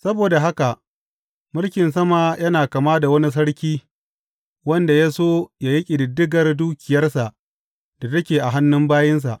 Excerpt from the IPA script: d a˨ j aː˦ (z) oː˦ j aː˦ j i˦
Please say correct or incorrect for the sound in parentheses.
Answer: incorrect: s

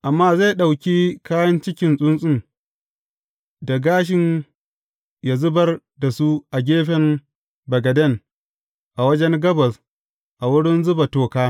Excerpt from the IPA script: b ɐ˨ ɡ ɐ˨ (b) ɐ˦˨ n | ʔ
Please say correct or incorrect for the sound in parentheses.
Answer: incorrect: d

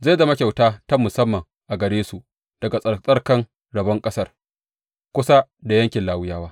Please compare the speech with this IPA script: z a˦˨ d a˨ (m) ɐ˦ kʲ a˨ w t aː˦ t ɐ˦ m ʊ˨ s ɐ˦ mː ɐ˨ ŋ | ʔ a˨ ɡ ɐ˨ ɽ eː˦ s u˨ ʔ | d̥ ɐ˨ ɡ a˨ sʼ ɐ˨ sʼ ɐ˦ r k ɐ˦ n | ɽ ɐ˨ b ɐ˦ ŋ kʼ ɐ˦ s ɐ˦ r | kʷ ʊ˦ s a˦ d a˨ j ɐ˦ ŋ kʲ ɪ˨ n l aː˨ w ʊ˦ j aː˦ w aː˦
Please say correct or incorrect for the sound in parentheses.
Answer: correct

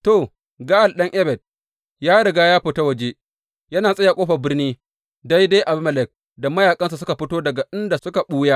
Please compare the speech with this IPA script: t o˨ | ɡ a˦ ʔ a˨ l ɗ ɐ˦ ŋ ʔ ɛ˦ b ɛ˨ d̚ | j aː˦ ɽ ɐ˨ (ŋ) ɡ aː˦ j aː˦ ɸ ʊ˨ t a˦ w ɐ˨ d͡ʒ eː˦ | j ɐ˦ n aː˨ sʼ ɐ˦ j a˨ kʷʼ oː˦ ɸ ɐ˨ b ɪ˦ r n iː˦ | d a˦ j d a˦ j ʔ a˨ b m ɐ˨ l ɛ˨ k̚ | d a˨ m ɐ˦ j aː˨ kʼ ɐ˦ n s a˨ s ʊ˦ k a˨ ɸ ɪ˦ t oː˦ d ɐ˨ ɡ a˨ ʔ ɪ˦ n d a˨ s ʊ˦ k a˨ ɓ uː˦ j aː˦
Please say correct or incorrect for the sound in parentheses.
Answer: incorrect: none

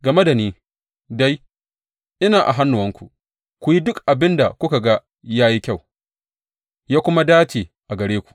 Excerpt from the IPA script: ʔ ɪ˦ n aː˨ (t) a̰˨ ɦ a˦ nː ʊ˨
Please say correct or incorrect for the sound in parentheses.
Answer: incorrect: ʔ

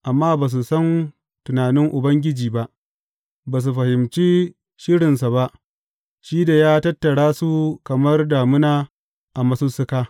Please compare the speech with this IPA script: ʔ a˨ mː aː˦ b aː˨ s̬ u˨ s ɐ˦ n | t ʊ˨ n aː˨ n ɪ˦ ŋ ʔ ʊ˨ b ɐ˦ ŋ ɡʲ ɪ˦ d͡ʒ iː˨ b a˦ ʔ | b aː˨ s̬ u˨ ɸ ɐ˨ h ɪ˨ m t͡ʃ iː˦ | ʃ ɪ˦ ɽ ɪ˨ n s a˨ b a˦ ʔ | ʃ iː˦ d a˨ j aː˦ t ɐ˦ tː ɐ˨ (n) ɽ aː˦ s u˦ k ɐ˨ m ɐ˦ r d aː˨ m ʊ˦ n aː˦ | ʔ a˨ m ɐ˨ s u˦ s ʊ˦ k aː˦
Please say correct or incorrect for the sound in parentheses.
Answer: incorrect: none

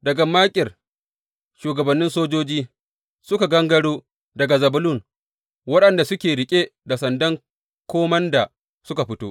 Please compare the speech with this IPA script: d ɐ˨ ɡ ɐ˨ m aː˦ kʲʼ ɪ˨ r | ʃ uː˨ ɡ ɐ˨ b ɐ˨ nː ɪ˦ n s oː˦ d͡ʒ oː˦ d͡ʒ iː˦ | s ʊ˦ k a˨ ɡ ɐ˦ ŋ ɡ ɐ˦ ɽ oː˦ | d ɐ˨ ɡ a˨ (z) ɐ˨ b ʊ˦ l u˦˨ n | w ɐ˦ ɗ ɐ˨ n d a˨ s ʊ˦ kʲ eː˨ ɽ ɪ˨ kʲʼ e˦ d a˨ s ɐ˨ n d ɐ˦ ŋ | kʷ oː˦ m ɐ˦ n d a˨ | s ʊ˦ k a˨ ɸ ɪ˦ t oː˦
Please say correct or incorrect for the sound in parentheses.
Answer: correct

